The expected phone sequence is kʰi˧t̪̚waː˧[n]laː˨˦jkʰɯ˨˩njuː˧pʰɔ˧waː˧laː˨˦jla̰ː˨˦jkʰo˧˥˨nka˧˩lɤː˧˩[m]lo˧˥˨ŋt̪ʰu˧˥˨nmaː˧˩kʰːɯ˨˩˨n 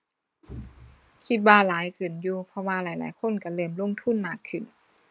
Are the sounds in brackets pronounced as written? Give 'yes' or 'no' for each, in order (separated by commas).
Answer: no, yes